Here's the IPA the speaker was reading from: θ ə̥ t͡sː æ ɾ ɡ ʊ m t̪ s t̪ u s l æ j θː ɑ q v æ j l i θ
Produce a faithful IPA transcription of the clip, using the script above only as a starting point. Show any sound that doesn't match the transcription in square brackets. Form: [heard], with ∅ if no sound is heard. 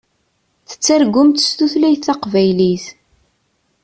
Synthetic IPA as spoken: θ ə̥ t͡sː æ ɾ ɡ ʊ m t̪ s t̪ u [θ] l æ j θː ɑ q v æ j l i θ